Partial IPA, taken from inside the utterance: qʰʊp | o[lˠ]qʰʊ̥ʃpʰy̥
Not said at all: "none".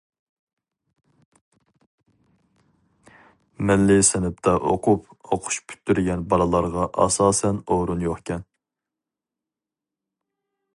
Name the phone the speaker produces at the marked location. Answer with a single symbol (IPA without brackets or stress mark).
none